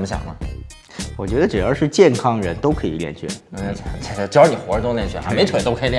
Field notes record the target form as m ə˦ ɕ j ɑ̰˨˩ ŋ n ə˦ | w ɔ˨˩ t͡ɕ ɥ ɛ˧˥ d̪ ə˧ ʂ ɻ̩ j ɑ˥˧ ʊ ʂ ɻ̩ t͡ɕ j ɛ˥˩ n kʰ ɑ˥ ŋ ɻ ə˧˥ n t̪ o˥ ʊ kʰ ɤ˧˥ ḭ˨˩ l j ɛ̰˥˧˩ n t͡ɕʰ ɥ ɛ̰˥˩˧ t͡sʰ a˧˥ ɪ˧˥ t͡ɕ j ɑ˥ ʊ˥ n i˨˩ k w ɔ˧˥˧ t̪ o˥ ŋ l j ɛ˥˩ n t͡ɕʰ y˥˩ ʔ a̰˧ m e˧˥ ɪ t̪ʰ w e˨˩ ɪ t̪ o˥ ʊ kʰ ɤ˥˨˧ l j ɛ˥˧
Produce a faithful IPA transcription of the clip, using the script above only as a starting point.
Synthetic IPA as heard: m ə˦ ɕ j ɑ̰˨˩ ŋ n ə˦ | w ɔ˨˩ t͡ɕ ɥ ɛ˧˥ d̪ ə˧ ʈ͡ʂ ɻ̩ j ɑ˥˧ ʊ ʂ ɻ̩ t͡ɕ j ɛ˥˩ n kʰ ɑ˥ ŋ ɻ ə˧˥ n t̪ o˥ ʊ kʰ ɤ˧˥ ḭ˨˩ l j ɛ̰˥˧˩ n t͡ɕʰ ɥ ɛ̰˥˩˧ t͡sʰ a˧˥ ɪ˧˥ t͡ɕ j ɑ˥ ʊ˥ n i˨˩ x w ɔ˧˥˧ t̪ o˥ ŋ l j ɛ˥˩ n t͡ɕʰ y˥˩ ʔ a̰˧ m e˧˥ ɪ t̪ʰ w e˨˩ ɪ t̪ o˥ ʊ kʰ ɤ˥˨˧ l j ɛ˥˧